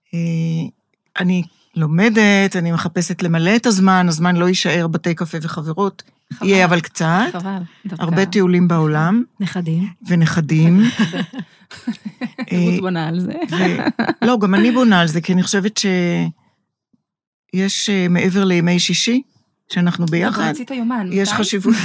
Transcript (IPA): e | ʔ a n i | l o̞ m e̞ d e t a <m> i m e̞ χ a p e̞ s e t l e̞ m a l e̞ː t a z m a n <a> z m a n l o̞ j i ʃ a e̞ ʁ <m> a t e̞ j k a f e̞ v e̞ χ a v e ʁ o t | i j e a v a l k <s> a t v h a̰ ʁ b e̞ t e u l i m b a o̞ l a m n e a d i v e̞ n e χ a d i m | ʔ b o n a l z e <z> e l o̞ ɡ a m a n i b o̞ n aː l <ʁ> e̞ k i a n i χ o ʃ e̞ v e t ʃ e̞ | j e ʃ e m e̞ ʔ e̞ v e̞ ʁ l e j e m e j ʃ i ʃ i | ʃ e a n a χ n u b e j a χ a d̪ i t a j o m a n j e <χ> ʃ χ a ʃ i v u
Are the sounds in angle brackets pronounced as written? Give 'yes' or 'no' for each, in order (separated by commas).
no, yes, no, no, no, no, no